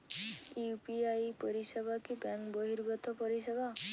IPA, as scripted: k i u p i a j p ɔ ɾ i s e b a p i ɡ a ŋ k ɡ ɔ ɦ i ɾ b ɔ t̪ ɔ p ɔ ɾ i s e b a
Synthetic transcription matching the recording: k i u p i a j p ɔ ɾ i s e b a k i b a ŋ k b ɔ ɦ i ɾ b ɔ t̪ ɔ p ɔ ɾ i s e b a